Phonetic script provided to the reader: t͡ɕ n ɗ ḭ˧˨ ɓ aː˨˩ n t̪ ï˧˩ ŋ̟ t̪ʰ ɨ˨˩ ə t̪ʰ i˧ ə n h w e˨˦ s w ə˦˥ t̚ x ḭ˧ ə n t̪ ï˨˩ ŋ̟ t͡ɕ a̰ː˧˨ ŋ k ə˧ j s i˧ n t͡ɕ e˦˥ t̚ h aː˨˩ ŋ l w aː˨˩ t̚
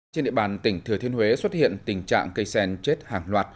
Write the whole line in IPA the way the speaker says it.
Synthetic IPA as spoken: t͡ɕ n ɗ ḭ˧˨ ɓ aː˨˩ n t̪ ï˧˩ ŋ̟ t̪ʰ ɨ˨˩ ə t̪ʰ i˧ ə n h w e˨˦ s w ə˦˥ t̚ h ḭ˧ ə n t̪ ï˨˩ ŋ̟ t͡ɕ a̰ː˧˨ ŋ k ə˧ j s ɛ˧ n t͡ɕ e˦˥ t̚ h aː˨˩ ŋ l w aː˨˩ t̚